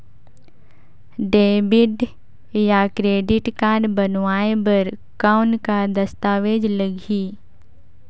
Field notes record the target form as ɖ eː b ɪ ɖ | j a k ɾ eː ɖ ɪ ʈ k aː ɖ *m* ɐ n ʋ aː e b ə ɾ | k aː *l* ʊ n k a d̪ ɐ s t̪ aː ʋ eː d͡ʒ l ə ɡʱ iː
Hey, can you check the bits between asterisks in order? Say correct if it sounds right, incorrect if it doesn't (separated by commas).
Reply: incorrect, incorrect